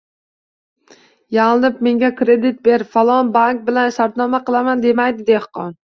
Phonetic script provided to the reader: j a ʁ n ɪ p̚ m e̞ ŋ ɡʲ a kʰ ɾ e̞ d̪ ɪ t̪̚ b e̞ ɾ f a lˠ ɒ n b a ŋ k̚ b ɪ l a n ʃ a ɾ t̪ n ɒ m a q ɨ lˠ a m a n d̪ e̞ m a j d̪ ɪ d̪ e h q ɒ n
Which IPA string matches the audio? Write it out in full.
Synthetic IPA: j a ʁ n ɪ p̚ m e̞ ŋ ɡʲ a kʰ ɾ e̞ d̪ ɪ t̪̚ b e̞ ɾ f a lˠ ɒ n b a ŋ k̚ b ɪ l a n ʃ a ɾ t̪ n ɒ m a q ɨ lˠ a m a n d̪ e̞ m a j d̪ ɪ d̪ e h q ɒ n